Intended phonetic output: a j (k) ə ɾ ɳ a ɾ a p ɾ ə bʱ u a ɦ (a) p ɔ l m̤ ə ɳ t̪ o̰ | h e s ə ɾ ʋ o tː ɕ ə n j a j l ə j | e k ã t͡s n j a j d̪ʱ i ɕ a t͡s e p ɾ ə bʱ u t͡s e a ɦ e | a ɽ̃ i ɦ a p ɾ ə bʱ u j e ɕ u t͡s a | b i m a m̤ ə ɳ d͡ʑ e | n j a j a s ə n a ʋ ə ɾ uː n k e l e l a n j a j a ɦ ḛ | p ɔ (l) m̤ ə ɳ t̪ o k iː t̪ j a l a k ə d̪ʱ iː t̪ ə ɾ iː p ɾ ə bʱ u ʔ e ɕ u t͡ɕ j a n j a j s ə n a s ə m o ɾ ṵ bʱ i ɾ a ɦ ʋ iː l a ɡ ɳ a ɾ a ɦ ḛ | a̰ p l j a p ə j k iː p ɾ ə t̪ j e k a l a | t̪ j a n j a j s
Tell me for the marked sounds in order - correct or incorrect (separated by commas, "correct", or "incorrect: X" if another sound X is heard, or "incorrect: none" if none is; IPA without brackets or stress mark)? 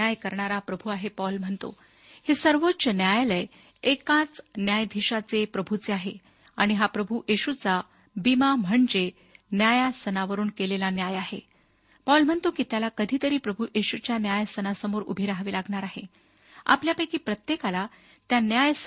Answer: correct, incorrect: e, correct